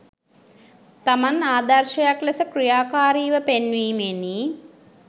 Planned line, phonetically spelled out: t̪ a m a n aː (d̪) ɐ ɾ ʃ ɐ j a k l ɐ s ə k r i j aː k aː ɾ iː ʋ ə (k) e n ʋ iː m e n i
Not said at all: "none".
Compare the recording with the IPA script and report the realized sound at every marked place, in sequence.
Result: d̪, p

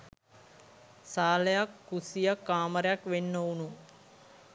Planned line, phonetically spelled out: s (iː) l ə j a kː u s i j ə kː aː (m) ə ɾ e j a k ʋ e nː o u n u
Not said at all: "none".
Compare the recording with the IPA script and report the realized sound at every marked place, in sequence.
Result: aː, m

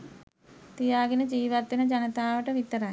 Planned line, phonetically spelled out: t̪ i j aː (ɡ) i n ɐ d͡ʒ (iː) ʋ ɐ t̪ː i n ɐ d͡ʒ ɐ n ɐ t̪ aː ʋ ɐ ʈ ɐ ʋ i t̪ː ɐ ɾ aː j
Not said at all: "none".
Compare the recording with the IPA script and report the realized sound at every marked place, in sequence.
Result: ɡ, iː

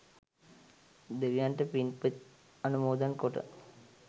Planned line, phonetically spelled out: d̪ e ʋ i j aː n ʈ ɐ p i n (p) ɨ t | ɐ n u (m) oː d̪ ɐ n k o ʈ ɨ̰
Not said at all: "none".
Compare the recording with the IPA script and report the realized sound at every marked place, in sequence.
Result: p, m

